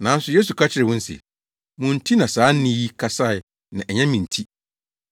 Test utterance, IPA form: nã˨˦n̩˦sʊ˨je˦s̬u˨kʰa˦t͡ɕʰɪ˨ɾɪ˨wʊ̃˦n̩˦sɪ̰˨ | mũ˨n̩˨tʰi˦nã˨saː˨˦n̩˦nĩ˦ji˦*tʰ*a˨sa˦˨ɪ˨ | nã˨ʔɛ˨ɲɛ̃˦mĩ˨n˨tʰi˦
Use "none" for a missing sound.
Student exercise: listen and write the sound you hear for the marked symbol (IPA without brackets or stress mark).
kʰ